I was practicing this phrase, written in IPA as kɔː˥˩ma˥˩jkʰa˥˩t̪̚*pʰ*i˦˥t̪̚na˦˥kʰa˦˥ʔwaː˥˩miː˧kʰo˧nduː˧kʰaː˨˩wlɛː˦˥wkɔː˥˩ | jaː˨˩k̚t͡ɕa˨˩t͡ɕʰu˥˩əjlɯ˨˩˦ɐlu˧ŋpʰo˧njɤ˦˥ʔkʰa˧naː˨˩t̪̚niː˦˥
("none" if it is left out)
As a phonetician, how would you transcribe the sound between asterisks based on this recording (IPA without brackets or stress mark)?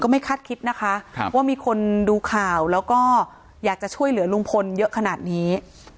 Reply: kʰ